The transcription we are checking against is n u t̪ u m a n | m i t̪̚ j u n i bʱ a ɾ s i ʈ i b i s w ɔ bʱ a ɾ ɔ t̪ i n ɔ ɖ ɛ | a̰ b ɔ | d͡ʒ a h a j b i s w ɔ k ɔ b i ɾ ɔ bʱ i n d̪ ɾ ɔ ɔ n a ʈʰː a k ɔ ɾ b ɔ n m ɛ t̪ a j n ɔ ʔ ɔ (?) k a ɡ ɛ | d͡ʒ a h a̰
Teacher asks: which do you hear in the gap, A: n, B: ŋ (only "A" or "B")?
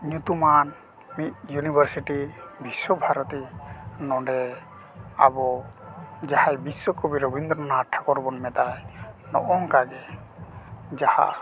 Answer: B